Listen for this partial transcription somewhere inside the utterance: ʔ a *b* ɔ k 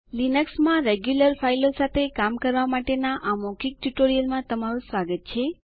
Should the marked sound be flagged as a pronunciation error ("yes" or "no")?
yes